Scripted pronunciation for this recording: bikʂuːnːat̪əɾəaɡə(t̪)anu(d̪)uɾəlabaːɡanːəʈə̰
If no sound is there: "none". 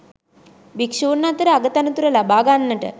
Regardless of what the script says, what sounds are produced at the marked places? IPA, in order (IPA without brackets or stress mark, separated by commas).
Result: t̪, t̪